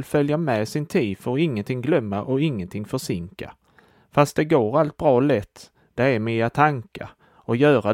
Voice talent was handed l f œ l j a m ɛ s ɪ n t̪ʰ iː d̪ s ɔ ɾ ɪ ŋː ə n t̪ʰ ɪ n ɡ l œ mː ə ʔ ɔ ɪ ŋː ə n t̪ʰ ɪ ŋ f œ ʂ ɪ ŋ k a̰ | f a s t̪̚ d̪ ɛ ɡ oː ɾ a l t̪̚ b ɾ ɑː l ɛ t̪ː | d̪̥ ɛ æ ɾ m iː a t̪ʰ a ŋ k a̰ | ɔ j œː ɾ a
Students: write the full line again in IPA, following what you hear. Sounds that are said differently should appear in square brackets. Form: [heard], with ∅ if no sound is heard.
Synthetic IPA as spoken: l f œ l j a m ɛ s ɪ n t̪ʰ iː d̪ [f] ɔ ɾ ɪ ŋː ə n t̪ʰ ɪ [ŋ] ɡ l œ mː [a] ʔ ɔ ɪ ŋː ə n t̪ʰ ɪ ŋ f œ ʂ ɪ ŋ k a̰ | f a s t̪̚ d̪ ɛ ɡ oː ɾ a l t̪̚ b ɾ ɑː l ɛ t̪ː | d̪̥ ɛ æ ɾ m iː a t̪ʰ a ŋ k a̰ | ɔ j œː ɾ a